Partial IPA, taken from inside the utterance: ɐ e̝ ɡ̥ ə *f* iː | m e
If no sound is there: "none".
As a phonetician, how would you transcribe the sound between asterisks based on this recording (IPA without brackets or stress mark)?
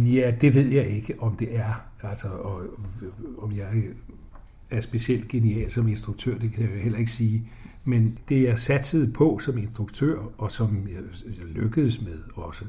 s